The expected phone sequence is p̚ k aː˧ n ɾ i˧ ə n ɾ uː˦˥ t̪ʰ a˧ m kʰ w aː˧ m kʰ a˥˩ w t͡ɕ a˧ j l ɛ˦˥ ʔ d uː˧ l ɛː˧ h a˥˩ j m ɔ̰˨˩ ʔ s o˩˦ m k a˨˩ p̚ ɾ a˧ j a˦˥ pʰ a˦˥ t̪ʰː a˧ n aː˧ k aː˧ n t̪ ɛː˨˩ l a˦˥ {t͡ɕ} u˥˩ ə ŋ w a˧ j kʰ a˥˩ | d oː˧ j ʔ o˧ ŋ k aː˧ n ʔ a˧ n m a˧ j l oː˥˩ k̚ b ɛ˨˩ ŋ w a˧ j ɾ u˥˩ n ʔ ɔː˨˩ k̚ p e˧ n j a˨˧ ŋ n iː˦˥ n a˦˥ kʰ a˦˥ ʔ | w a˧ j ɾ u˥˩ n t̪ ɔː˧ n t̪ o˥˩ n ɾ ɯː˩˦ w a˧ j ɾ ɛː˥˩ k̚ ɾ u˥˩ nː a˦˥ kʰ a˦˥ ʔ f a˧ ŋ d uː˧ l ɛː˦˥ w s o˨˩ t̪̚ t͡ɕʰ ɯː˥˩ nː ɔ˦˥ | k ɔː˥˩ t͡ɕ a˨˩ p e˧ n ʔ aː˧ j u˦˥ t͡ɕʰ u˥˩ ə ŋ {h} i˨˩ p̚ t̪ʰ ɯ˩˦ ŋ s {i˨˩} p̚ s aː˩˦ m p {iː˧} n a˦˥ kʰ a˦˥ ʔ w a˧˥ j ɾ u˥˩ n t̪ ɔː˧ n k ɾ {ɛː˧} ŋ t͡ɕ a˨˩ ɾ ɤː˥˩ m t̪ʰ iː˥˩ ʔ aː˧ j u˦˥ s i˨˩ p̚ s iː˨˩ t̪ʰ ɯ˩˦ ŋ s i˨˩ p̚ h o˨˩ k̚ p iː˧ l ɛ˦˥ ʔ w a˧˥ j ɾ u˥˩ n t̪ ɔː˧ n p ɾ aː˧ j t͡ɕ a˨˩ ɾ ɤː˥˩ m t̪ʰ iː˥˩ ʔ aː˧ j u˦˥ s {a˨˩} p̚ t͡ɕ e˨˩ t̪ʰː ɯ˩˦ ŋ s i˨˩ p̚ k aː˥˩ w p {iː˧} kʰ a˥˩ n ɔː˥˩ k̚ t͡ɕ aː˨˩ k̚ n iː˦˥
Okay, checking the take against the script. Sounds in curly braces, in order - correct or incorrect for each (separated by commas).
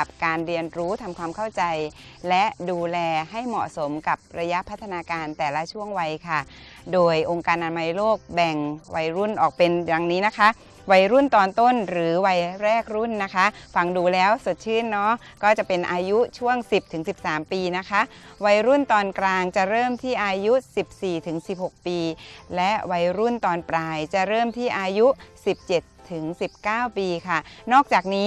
incorrect, incorrect, correct, correct, incorrect, incorrect, correct